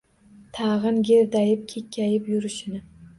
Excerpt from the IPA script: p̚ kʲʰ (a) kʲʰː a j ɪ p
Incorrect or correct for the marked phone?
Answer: incorrect: e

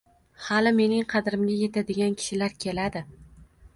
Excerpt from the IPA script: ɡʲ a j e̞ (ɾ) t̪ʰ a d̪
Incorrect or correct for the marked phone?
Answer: incorrect: none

